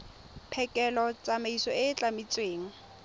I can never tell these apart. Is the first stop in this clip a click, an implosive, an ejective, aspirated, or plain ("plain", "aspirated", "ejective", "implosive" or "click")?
aspirated